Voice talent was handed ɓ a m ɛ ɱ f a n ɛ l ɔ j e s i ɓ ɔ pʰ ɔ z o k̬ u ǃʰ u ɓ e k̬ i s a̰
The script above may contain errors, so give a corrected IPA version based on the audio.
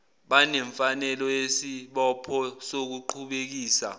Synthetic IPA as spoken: ɓ a n ɛ ɱ f a n ɛ l ɔ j e s i ɓ ɔ pʰ ɔ s o k̬ u ǃʰ u ɓ e k̬ iː s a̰